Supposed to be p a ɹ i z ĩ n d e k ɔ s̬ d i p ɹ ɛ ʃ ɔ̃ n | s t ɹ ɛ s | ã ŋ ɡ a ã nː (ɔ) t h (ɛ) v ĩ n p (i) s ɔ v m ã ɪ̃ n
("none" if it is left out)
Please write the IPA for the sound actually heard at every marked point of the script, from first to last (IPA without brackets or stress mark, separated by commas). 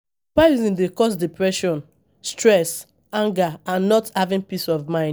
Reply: ɔ, a, i